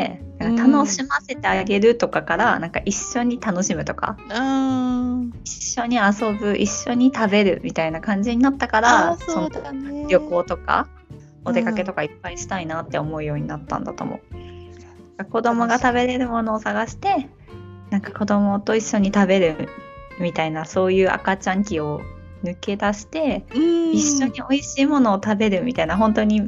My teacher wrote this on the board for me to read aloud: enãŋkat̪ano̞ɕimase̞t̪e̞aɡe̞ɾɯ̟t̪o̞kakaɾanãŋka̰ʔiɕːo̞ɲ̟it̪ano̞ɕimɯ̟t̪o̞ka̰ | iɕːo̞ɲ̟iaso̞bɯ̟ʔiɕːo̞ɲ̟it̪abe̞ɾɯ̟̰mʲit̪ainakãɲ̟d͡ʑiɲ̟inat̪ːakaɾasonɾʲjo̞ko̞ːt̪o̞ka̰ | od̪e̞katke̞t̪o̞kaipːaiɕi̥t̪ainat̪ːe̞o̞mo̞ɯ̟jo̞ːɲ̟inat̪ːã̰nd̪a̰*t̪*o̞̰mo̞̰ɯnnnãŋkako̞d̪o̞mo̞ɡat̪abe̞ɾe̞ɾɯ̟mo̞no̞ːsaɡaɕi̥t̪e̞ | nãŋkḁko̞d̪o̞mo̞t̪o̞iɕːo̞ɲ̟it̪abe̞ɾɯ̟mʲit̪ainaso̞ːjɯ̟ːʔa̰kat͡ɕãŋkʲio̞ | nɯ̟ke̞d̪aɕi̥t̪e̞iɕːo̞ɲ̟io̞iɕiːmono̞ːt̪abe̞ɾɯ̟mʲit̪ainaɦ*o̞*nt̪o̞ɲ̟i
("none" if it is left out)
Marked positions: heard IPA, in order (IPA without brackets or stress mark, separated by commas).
t̪, õ̞